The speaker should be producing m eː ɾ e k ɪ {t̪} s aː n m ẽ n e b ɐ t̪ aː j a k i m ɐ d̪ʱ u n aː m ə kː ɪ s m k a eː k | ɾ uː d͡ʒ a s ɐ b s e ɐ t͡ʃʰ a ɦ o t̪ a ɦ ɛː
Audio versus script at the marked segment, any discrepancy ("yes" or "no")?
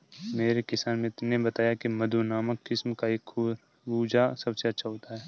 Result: yes